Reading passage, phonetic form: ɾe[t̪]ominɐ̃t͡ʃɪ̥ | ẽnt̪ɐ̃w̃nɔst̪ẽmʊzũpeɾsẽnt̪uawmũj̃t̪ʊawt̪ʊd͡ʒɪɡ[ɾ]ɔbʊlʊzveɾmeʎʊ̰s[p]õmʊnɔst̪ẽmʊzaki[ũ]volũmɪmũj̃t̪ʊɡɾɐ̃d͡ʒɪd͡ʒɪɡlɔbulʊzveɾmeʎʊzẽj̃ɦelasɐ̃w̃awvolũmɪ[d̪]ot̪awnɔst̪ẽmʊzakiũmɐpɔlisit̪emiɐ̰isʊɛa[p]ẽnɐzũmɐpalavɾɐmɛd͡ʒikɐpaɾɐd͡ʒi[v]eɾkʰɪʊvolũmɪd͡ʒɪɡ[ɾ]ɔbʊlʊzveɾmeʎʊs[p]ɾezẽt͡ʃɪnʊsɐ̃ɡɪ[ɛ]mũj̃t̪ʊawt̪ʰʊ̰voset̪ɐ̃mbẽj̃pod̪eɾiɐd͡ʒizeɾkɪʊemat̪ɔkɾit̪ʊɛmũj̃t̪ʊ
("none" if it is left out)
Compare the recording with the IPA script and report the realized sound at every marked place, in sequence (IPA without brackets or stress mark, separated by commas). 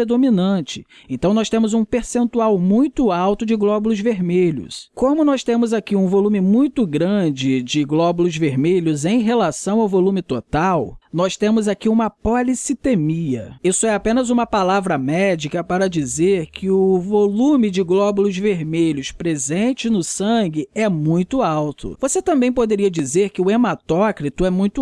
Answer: d̪, l, k, ũ, t̪, p, z, l, p, ɛ